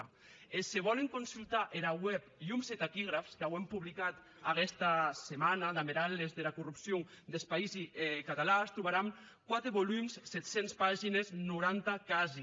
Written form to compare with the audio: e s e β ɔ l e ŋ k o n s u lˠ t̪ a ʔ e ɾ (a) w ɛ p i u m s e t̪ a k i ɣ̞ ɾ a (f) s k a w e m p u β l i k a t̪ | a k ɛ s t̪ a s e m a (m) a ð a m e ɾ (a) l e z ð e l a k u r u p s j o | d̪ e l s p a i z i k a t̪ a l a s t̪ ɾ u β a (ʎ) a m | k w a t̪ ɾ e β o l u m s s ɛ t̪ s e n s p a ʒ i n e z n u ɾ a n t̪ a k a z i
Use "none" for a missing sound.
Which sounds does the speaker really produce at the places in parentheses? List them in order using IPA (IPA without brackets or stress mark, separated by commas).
a, f, n, a, ɾ